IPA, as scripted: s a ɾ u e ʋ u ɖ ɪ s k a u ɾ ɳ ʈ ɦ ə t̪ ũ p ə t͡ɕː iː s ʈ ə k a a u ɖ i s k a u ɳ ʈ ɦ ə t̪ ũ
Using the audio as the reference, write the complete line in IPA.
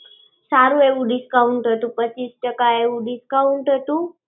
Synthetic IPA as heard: s a ɾ u e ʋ u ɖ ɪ s k a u ɳ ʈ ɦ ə t̪ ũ p ə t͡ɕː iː s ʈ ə k a e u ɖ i s k a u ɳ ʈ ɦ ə t̪ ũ